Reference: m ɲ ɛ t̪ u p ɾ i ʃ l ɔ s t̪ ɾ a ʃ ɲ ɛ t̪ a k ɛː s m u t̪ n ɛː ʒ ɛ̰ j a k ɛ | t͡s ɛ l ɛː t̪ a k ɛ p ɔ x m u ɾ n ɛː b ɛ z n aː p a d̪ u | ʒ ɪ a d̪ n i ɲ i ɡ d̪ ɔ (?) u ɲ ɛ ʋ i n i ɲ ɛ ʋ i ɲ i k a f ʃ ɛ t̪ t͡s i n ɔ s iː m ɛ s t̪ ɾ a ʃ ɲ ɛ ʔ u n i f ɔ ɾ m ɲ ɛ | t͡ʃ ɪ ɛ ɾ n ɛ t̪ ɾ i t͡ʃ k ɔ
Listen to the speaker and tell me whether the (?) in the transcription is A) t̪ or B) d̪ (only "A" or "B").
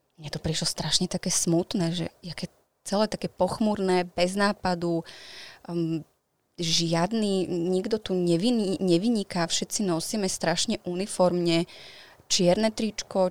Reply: A